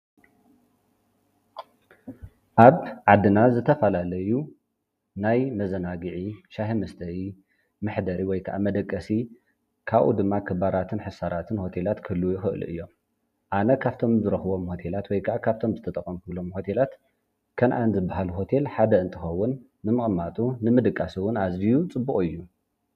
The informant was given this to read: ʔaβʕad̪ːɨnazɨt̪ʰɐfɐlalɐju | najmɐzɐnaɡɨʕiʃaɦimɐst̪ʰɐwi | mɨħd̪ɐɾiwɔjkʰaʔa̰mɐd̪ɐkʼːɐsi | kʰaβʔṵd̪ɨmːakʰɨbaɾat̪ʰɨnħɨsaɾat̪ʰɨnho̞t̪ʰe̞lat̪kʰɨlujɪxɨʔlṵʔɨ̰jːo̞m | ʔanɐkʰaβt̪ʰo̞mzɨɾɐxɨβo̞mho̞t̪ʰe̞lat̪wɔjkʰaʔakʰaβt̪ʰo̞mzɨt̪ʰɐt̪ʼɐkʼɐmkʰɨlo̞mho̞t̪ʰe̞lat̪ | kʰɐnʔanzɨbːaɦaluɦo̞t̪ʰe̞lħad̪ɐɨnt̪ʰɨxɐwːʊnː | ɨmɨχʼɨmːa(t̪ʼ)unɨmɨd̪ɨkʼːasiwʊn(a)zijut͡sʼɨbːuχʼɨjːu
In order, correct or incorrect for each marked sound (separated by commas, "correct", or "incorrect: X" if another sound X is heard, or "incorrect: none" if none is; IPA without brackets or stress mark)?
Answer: correct, correct